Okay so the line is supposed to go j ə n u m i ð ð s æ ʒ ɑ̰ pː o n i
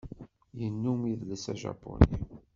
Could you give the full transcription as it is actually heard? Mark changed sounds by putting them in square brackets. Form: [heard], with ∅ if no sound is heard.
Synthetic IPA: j ə [nː] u m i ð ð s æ ʒ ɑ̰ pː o n i